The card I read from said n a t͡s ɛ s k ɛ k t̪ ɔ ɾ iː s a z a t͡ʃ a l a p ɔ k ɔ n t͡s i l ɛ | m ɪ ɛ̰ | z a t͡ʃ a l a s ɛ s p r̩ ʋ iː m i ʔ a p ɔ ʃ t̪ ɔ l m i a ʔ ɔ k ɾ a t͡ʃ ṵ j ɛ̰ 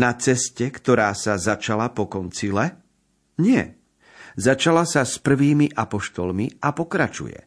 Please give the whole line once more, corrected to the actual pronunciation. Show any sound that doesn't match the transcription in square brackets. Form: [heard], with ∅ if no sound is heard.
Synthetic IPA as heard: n a t͡s ɛ s [c] ɛ k t̪ ɔ ɾ [aː] s a z a t͡ʃ a l a p ɔ k ɔ n t͡s i l ɛ | [ɲ] ɪ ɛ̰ | z a t͡ʃ a l a s [a] s p r̩ ʋ iː m i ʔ a p ɔ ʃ t̪ ɔ l m i a [p] ɔ k ɾ a t͡ʃ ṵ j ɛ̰